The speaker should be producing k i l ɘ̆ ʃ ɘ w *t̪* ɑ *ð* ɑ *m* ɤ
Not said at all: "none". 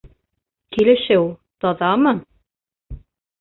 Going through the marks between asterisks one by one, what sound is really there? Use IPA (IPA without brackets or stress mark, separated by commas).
t̪, ð, m